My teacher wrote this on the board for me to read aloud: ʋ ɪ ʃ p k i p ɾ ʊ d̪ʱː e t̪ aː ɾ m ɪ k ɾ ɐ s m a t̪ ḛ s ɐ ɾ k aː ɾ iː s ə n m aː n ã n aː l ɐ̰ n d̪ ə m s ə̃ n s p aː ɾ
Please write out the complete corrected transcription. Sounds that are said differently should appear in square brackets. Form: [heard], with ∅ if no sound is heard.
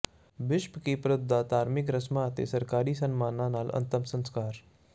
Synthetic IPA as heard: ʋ ɪ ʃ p k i p ɾ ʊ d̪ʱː [a] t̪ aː ɾ m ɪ k ɾ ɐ s m a t̪ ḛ s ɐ ɾ k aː ɾ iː s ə n m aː n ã n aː l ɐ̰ n [t̪] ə m s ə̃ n s [k] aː ɾ